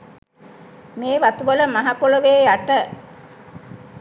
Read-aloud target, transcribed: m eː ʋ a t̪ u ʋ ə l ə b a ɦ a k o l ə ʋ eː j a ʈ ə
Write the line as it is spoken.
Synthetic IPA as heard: m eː ʋ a t̪ u ʋ ə l ə m a ɦ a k o l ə ʋ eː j a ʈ ə